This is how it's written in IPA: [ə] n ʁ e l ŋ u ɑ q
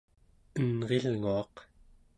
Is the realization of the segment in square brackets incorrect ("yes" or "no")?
no